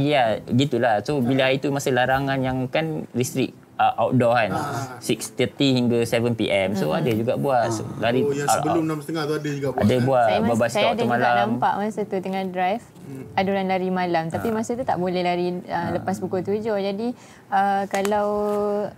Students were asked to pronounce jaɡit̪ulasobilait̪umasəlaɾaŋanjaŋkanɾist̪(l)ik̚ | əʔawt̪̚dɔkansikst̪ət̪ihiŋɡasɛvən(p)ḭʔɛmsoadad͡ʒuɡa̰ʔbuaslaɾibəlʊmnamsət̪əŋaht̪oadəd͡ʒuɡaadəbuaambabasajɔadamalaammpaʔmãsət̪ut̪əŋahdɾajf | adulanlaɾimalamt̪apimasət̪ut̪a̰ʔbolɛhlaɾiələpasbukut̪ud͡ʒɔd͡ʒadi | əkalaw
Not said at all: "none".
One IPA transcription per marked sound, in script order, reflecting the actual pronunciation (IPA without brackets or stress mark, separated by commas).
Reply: ɾ, p